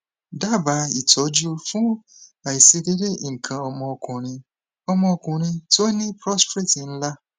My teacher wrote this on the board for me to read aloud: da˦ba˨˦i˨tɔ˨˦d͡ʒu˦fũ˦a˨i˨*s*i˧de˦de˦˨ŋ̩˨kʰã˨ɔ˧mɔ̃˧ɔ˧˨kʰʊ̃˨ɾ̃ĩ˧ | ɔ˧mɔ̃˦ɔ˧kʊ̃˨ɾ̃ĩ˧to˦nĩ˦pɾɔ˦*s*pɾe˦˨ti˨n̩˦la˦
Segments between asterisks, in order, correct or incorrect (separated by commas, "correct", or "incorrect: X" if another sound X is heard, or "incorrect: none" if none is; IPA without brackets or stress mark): correct, correct